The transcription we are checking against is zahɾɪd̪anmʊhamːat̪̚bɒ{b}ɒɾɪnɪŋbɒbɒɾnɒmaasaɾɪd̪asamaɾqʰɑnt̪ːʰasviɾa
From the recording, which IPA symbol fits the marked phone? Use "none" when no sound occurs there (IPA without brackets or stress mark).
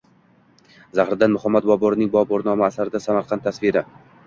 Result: b